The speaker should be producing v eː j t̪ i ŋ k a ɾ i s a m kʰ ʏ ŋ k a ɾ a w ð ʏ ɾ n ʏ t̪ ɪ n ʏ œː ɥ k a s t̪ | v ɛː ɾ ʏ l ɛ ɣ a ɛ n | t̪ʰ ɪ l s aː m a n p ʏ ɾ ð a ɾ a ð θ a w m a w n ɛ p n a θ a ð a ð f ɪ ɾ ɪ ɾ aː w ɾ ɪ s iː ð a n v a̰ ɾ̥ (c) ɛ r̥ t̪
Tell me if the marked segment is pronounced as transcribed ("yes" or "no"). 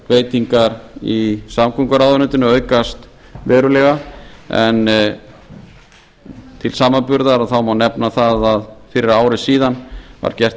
yes